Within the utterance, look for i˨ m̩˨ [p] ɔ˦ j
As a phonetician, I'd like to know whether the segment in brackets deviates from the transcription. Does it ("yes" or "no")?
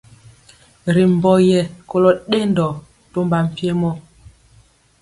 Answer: yes